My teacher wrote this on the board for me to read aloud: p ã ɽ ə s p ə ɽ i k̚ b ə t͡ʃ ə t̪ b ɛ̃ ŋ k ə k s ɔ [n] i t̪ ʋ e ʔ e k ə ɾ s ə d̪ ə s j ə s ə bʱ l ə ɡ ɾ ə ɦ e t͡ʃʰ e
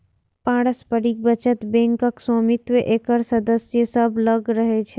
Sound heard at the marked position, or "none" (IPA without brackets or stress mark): m